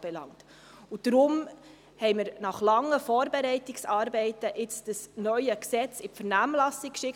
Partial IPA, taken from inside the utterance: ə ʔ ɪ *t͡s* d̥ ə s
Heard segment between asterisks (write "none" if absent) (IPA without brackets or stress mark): t͡s